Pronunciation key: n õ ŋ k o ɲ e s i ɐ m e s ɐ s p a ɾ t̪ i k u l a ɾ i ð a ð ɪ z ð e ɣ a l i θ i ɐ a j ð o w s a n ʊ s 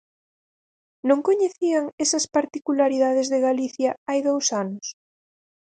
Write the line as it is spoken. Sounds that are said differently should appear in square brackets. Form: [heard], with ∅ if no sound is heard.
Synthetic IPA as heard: n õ ŋ k o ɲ e [θ] i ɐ [ŋ] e s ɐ s p a ɾ t̪ i k u l a ɾ i ð a ð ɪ z ð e ɣ a l i θ [j] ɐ a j ð o w s a n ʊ s